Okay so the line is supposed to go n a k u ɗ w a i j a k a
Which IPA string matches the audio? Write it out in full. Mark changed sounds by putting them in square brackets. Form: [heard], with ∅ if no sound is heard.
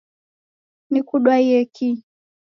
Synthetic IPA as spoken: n [i] k u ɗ w a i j [ɛ] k [i]